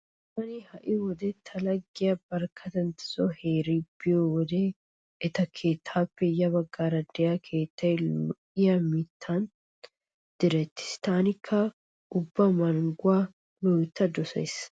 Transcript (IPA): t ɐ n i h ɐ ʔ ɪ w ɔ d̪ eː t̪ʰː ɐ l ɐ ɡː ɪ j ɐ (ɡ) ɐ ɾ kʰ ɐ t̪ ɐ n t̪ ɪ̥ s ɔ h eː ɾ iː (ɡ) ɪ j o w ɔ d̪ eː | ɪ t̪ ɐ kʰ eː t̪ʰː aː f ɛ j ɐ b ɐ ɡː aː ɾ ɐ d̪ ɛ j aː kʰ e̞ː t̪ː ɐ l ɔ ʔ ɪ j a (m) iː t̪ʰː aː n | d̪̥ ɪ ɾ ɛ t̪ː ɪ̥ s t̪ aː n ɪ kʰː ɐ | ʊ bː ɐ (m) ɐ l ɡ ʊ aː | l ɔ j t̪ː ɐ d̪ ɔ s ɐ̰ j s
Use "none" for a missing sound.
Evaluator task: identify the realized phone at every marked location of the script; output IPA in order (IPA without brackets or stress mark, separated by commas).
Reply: b, b, m, m